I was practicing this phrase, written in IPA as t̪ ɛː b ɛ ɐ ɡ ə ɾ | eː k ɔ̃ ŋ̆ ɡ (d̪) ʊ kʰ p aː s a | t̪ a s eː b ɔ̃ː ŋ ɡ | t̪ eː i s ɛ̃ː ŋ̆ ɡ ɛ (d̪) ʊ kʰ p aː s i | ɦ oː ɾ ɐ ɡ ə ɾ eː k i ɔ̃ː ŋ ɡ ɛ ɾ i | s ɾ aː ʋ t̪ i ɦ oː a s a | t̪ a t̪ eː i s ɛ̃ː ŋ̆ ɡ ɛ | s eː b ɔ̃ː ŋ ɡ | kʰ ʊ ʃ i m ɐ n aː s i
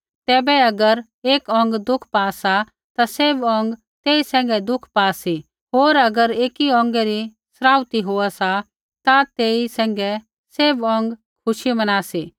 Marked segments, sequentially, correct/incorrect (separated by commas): correct, correct